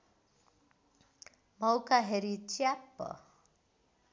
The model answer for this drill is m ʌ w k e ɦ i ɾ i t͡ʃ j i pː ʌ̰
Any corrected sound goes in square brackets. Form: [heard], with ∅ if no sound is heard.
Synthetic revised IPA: m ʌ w k [a] ɦ [e] ɾ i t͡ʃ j [a] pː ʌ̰